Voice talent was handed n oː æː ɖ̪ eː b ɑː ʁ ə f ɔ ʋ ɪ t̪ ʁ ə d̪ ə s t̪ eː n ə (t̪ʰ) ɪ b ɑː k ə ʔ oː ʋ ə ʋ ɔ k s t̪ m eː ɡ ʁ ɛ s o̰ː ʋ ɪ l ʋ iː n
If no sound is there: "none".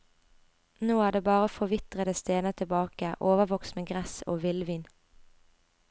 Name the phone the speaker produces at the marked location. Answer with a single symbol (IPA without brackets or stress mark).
t̪ʰ